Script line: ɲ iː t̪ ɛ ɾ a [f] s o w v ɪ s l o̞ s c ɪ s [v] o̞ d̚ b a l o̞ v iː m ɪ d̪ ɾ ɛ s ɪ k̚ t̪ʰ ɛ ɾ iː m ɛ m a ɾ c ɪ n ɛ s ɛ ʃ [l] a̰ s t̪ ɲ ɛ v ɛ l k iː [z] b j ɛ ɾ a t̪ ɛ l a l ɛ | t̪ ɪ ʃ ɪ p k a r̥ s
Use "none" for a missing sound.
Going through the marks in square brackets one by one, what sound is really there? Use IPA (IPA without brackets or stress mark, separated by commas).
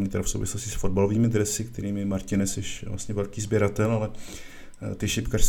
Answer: f, f, l, z